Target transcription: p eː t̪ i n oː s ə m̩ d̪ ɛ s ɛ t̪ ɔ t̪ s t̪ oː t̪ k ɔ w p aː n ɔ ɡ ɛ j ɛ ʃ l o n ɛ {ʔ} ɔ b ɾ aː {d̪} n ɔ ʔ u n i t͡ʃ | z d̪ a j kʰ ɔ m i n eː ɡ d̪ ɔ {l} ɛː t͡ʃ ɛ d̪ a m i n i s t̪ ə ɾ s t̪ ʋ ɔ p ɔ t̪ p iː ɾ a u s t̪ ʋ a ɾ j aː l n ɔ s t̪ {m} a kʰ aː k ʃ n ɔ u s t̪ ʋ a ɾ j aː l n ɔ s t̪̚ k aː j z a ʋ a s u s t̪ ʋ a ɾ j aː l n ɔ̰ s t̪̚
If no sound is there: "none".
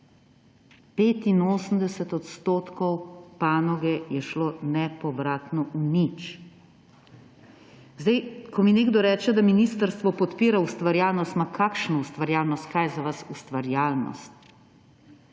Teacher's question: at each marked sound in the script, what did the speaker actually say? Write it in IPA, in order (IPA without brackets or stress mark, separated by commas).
p, t̪, ɾ, m